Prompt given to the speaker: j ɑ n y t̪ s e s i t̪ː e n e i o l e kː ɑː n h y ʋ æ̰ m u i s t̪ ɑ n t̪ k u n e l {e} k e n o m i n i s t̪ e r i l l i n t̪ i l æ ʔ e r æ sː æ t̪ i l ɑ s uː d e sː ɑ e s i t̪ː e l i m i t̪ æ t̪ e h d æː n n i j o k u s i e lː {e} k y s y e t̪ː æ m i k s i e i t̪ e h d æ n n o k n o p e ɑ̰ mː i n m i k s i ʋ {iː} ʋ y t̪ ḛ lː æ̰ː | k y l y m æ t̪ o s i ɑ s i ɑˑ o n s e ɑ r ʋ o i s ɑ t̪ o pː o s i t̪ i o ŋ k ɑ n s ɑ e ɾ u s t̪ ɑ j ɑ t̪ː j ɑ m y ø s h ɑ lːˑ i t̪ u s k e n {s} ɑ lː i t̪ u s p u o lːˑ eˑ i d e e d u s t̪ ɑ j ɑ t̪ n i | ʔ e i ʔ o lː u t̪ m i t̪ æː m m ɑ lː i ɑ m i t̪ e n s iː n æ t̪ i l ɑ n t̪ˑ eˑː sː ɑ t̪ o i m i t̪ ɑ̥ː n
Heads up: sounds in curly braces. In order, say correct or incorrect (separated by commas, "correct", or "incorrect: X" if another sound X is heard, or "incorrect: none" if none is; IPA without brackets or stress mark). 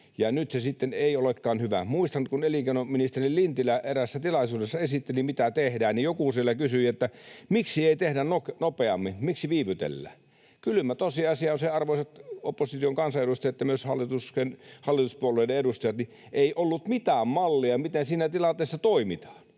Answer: incorrect: i, incorrect: æ, correct, incorrect: h